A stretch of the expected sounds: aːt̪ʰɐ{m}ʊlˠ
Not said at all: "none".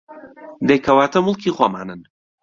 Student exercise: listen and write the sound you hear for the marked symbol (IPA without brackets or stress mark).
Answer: m